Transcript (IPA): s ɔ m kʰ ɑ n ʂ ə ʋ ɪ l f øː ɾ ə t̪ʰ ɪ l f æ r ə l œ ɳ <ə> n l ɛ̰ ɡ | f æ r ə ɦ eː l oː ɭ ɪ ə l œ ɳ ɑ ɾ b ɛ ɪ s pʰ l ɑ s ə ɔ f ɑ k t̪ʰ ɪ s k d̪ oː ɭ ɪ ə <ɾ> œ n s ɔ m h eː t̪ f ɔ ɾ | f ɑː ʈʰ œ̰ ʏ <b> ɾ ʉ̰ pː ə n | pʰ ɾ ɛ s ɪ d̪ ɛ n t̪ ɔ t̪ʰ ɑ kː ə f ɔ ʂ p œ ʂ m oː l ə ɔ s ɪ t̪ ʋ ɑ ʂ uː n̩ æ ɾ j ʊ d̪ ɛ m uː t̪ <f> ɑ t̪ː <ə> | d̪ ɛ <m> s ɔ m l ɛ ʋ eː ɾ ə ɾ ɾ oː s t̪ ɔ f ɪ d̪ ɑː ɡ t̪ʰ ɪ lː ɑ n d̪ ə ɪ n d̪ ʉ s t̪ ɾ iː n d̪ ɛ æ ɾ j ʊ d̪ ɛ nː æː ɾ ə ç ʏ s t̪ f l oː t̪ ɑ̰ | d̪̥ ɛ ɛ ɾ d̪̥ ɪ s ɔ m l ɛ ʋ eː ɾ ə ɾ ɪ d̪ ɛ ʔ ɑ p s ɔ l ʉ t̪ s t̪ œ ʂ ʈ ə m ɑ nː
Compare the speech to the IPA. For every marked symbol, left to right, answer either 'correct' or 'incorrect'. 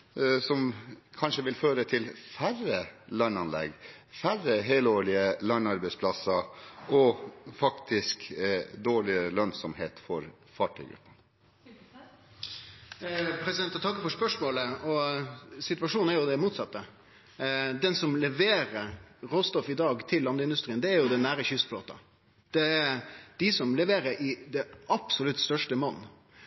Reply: incorrect: ɑ, incorrect: l, incorrect: ɡ, incorrect: s, correct, incorrect: n

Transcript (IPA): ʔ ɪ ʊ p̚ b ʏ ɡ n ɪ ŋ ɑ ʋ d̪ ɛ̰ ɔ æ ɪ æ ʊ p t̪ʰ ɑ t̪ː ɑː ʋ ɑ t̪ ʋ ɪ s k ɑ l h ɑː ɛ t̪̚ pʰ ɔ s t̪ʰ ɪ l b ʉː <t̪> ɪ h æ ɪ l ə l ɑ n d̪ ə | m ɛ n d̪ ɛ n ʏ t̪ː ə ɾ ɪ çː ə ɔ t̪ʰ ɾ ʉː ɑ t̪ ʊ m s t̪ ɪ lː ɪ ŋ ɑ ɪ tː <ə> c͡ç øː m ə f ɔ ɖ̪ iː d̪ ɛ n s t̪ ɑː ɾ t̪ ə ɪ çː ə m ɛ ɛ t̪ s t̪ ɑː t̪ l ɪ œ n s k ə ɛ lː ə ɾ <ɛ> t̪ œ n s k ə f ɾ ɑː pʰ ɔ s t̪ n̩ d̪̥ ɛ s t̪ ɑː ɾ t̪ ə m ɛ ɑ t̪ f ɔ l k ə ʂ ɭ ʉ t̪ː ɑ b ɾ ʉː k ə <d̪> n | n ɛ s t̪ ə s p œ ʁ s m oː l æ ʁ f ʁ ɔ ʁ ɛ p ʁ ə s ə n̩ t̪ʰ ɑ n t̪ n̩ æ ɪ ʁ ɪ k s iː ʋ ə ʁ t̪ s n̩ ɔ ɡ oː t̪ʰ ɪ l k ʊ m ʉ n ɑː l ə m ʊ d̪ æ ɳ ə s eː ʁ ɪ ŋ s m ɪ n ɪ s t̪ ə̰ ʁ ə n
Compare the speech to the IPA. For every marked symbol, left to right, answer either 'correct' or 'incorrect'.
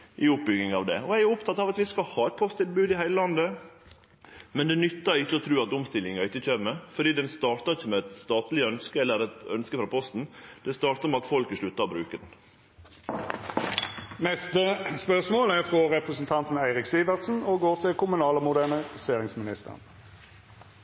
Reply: incorrect: d̪, correct, correct, correct

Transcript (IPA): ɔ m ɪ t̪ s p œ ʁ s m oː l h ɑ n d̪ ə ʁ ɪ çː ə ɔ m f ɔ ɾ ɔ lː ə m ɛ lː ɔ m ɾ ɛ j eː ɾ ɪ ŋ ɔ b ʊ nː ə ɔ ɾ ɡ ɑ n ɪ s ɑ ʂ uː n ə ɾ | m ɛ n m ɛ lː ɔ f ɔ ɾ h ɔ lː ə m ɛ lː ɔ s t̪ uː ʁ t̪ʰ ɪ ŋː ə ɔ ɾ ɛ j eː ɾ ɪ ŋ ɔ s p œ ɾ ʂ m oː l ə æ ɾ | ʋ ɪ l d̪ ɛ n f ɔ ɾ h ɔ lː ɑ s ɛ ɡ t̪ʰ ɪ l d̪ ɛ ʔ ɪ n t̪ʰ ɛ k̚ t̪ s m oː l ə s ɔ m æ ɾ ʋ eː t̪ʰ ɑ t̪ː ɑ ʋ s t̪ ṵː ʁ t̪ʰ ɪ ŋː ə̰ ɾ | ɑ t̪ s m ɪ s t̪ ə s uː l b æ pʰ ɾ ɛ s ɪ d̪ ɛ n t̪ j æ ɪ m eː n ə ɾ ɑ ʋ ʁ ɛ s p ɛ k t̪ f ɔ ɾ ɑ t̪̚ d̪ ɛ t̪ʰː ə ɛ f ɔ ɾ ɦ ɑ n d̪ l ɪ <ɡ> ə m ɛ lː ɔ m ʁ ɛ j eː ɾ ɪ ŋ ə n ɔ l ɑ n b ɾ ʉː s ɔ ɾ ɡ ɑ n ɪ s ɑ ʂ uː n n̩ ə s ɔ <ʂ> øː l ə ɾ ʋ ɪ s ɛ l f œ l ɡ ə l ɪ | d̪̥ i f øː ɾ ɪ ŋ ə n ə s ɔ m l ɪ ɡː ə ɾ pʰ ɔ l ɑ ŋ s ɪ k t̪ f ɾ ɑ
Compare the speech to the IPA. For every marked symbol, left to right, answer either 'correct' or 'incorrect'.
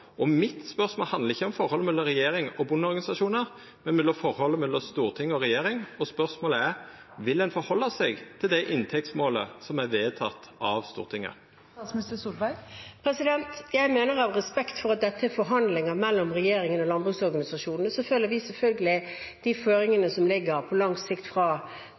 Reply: incorrect: ŋ, incorrect: f

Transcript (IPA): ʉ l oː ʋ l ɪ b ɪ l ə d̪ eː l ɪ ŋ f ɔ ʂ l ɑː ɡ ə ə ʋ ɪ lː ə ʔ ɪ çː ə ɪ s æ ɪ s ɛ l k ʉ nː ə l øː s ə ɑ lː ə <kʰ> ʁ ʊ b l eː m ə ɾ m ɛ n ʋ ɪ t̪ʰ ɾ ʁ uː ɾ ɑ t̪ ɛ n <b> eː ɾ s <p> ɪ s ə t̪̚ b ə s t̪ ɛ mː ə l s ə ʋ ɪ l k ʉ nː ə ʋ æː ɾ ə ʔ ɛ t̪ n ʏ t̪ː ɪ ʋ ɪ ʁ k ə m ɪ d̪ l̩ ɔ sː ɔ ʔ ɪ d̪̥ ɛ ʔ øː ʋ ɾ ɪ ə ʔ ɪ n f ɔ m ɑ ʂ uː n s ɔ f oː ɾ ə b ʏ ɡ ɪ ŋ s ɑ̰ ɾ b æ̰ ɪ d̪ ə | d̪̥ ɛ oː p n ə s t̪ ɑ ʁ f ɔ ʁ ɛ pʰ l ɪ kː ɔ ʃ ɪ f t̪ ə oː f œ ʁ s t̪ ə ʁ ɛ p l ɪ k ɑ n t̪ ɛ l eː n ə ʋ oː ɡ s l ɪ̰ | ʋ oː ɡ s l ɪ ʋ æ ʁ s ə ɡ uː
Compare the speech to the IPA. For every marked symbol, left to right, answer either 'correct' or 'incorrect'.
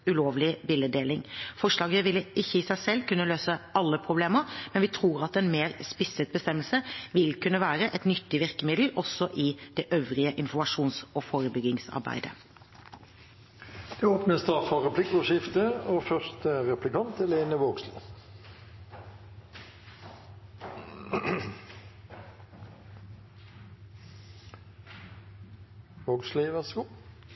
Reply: incorrect: pʰ, incorrect: m, correct

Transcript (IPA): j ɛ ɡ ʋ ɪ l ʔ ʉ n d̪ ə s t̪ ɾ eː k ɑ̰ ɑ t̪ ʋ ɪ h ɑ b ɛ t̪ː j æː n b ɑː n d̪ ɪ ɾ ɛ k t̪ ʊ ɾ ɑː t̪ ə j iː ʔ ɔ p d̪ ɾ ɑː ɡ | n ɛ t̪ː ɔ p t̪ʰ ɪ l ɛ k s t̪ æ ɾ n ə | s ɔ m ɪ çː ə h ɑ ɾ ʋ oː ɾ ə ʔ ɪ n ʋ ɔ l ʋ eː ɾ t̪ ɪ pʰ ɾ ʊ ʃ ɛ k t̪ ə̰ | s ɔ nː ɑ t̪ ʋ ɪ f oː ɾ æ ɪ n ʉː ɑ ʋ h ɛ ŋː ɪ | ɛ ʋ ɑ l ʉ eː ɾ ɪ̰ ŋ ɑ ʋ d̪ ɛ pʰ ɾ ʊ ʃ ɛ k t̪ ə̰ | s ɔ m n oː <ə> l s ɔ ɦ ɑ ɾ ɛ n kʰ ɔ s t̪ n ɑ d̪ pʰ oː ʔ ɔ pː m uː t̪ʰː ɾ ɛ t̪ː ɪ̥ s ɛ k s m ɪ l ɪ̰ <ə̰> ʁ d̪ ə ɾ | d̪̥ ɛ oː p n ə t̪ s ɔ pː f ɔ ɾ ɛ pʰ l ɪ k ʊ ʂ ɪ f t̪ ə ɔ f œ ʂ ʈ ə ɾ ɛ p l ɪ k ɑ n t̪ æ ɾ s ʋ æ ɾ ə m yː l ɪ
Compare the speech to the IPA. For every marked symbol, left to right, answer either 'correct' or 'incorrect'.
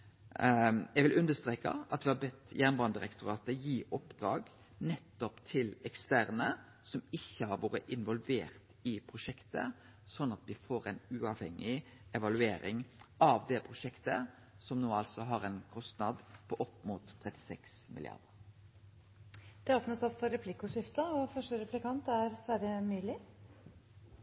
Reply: incorrect: ɑ, incorrect: ɑ̰

